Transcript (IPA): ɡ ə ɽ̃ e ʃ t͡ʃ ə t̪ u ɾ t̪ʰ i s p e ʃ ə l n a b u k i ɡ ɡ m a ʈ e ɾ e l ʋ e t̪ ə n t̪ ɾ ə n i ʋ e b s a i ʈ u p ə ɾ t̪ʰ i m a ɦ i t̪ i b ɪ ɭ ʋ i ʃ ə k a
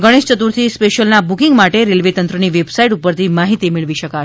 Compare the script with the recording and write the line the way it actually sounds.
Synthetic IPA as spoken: ɡ ə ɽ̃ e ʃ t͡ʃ ə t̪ u ɾ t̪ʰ i s p e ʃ ə l n a b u k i ŋ ɡ m a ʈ e ɾ e l ʋ e t̪ ə n t̪ ɾ ə n i ʋ e b s a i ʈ u p ə ɾ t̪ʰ i m a ɦ i t̪ i m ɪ ɭ ʋ i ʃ ə k a